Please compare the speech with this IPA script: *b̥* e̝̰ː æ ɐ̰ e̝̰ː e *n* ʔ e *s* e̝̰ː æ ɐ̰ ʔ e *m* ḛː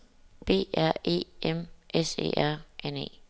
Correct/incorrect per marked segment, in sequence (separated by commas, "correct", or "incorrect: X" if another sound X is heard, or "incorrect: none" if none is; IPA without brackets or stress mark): correct, incorrect: m, correct, incorrect: n